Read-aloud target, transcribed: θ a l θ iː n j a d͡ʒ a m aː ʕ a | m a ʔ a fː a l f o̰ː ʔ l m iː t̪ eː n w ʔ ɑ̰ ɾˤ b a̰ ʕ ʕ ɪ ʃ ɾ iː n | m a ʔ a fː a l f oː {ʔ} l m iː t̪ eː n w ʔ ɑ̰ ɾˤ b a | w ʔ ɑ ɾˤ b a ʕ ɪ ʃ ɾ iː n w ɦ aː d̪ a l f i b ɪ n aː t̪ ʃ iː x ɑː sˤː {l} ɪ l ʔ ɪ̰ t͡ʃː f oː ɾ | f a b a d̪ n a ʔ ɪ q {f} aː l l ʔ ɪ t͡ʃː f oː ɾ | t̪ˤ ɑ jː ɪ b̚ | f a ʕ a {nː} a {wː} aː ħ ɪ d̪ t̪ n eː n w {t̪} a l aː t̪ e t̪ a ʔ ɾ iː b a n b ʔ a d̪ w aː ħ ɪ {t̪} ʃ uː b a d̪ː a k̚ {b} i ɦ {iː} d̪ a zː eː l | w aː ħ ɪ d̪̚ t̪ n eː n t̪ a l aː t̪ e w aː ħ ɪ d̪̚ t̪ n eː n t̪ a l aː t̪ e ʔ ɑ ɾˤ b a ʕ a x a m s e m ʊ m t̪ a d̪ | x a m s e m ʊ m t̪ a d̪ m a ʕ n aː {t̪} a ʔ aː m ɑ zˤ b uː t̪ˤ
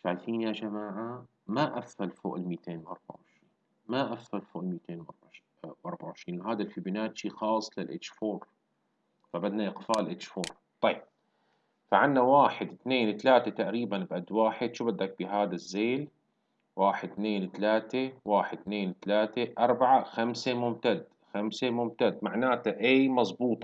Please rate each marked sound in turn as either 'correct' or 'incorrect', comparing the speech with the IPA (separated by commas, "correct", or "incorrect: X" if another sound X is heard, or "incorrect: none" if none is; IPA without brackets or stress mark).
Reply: correct, correct, correct, correct, incorrect: w, correct, incorrect: d̪, correct, incorrect: aː, correct